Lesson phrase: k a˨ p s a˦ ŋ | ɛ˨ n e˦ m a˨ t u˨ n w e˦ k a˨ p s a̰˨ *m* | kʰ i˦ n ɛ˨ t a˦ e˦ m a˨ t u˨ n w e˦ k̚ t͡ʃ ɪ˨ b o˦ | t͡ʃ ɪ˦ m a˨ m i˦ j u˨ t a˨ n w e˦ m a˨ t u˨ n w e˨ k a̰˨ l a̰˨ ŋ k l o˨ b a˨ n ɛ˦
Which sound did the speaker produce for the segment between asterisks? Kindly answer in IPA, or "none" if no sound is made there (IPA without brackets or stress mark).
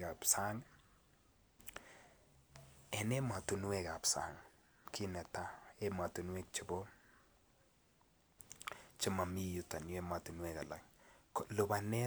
ŋ